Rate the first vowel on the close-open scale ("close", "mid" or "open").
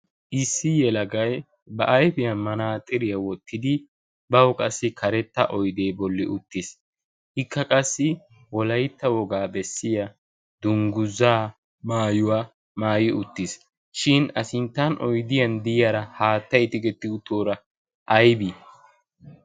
close